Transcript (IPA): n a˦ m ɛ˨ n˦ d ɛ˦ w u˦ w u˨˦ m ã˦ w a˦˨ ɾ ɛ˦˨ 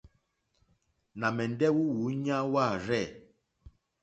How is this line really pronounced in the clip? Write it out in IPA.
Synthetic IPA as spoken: n a˨ m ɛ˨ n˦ d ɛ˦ w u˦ w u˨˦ ɲ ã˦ w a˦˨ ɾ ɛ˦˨